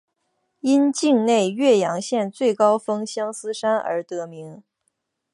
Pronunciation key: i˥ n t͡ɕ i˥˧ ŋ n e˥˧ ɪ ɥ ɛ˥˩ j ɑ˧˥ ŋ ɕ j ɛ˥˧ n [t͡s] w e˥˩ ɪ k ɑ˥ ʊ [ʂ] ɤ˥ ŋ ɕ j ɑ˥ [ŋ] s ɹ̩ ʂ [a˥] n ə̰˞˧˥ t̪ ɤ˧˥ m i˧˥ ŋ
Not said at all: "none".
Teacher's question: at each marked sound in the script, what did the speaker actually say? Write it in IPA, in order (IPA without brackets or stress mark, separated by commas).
t͡s, f, ŋ, a˥